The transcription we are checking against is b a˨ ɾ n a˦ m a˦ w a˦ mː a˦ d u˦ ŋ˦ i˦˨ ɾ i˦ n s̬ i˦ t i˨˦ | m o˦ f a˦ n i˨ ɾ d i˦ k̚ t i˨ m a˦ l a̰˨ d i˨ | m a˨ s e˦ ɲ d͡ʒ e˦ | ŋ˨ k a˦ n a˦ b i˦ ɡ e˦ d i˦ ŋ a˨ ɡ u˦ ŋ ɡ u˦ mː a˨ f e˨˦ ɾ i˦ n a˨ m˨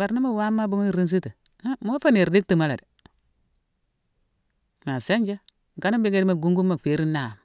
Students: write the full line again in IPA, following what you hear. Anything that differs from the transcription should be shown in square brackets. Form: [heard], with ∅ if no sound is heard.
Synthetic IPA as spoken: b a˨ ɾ n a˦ m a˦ w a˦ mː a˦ [b] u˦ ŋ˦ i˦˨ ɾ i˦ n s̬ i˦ t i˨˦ | m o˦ f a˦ n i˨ ɾ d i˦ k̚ t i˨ m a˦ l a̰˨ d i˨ | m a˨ s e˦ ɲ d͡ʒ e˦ | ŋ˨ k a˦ n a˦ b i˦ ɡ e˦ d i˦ [m] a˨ ɡ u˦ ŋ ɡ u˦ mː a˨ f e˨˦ ɾ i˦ n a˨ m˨